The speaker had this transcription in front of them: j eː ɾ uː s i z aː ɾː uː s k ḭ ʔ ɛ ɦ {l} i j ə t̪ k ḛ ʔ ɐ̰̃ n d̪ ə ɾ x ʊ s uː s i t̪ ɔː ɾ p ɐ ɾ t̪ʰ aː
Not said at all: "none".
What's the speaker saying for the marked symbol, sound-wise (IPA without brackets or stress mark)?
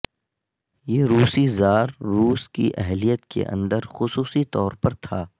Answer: l